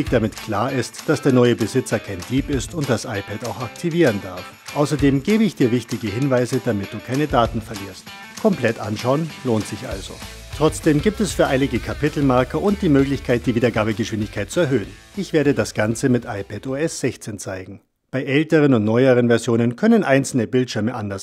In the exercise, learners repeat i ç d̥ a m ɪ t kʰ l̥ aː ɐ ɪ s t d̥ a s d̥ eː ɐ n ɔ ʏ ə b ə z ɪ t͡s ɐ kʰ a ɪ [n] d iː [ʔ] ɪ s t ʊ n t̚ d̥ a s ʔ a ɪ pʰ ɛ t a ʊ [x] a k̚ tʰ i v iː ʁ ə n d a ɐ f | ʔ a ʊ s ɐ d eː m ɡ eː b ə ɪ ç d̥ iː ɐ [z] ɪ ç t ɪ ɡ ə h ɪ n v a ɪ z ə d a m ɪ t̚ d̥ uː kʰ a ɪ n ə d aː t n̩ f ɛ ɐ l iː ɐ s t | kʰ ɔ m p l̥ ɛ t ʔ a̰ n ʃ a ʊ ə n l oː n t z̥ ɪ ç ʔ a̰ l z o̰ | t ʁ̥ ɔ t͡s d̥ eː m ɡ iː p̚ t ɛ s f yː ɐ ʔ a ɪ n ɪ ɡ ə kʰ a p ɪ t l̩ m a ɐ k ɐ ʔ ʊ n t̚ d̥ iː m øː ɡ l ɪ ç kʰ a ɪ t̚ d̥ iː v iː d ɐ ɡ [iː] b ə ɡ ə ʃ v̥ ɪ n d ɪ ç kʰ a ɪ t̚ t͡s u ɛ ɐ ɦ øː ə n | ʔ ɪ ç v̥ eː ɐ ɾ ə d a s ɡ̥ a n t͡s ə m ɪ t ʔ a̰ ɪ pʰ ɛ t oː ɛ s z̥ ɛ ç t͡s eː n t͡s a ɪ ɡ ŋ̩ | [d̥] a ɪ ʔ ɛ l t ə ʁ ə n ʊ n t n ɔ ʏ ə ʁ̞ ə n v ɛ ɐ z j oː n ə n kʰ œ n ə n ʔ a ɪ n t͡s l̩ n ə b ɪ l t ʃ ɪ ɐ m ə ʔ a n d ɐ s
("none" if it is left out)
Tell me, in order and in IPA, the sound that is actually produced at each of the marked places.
n, p, x, v, aː, b̥

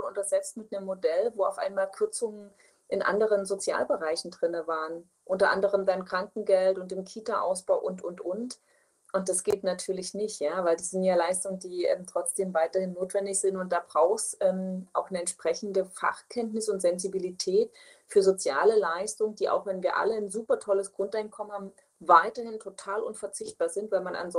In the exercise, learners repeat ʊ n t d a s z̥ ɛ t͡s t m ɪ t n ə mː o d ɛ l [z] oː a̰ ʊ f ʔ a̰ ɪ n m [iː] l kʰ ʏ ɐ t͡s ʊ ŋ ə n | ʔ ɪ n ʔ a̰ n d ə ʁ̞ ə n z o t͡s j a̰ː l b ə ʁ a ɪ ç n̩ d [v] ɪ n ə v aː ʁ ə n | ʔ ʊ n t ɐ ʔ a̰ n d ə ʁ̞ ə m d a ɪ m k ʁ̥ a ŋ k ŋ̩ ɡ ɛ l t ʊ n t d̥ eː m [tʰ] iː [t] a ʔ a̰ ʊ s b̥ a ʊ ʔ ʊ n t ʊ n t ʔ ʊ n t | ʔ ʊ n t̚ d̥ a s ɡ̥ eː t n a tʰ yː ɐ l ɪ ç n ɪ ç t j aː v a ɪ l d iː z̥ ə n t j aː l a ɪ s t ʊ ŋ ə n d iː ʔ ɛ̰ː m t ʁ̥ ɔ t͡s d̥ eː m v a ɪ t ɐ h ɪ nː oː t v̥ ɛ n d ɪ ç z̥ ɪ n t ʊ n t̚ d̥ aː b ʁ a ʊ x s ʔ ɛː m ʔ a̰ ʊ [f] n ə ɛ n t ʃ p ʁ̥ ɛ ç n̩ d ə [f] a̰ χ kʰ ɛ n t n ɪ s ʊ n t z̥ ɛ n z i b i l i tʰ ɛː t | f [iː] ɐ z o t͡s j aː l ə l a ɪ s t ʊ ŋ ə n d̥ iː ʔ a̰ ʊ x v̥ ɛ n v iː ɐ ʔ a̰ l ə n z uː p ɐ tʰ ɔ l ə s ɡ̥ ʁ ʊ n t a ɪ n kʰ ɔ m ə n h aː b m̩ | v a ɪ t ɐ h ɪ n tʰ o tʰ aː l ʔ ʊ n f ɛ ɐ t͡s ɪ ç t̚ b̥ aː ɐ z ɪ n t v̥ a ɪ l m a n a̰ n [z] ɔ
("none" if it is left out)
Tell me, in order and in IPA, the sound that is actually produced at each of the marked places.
v, aː, ʁ, kʰ, t, x, f, yː, z

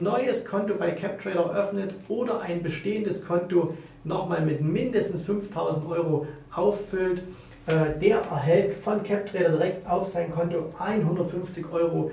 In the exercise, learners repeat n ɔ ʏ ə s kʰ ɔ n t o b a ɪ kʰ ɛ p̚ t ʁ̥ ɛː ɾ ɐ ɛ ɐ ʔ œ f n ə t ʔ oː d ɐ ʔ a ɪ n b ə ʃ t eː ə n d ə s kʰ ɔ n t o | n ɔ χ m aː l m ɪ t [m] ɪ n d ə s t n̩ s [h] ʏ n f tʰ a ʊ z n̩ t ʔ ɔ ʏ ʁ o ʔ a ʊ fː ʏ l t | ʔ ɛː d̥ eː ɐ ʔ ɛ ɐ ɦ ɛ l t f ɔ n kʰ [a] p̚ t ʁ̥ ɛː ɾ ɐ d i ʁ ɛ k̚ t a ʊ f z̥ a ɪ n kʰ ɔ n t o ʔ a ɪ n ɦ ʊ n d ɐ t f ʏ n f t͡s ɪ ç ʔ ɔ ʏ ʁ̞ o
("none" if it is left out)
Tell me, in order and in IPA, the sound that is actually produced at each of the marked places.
m, f, ɛ

